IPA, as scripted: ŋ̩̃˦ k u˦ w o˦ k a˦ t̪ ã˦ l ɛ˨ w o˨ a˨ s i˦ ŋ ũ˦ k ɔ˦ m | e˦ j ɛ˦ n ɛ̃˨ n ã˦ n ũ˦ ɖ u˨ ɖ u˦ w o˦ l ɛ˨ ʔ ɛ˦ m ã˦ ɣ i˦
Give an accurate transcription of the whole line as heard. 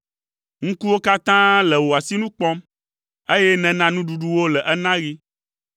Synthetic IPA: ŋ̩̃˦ k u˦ w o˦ k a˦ t̪ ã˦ l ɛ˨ w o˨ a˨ s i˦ n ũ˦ k͡p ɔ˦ m | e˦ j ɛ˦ n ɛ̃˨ n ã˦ n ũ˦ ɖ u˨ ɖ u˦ w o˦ l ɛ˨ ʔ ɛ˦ n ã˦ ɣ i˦